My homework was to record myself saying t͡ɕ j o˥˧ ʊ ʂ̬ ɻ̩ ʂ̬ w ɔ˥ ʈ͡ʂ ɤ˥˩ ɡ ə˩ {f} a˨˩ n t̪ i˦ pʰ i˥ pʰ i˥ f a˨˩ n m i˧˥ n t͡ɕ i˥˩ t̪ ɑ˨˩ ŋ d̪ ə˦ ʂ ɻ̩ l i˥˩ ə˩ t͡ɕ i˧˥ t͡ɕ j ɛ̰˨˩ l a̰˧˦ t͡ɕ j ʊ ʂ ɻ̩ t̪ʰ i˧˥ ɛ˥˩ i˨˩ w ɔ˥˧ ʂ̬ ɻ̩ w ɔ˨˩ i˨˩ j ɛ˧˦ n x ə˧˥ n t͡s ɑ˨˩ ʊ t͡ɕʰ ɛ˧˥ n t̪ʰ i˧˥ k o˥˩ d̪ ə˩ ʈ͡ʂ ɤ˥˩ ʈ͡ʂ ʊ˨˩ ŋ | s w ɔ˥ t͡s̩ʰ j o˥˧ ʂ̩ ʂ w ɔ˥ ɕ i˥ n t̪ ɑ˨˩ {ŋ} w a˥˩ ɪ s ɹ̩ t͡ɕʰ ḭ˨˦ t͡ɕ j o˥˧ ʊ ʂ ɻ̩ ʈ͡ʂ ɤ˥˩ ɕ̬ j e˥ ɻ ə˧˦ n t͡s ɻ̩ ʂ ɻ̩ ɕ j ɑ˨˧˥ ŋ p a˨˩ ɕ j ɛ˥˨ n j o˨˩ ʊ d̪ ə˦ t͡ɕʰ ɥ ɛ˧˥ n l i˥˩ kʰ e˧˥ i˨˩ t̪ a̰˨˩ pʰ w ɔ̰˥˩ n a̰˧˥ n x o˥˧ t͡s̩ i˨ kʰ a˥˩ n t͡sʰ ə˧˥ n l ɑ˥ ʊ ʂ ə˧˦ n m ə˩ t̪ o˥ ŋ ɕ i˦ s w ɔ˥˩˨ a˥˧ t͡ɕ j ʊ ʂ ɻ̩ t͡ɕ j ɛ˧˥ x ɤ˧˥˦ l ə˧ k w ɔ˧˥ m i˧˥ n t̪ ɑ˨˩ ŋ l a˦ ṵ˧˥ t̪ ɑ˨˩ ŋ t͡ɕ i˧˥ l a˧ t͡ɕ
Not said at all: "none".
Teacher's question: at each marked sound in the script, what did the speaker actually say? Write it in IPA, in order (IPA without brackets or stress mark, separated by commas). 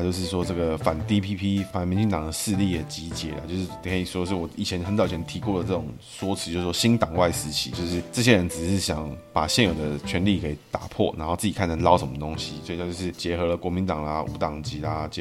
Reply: f, ŋ